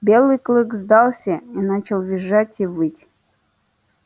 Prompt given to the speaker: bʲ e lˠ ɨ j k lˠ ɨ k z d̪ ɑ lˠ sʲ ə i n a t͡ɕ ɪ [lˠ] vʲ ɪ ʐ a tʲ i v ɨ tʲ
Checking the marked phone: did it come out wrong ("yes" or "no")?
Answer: no